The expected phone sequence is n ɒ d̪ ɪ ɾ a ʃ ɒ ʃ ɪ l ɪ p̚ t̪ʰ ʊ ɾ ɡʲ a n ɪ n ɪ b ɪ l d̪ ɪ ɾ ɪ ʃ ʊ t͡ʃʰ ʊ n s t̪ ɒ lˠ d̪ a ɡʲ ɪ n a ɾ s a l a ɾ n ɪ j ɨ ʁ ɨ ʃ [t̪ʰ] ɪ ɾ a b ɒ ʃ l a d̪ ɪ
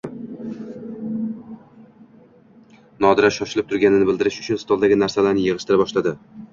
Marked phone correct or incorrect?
incorrect